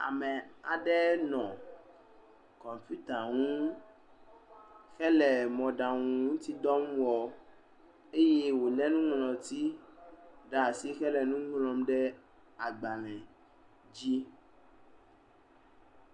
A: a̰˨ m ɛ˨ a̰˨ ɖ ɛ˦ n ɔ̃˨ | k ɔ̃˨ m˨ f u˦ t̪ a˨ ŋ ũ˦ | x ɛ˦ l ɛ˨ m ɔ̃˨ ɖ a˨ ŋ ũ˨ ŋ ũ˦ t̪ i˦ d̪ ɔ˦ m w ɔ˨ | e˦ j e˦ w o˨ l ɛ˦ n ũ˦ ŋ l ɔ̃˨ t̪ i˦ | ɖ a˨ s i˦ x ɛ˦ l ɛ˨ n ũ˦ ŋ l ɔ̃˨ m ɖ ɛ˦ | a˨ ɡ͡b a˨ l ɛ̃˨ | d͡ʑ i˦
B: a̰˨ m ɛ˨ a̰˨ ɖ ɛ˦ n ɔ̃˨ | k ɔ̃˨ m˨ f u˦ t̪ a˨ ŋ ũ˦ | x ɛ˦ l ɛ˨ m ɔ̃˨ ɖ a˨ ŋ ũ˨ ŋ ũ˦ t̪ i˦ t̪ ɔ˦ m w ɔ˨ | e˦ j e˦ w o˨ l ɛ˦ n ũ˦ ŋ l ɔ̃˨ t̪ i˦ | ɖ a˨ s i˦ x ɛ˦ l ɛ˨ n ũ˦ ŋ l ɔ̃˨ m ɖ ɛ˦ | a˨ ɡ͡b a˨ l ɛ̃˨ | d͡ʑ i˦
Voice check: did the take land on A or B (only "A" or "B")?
A